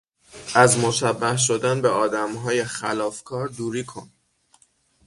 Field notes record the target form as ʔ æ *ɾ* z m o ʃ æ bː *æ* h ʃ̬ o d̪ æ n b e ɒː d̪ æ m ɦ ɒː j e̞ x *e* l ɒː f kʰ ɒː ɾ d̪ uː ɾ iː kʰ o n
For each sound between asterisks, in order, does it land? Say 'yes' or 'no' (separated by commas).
no, yes, no